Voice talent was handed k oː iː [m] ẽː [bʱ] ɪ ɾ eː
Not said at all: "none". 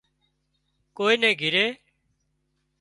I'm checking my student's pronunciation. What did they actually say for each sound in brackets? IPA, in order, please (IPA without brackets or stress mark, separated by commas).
n, ɡʱ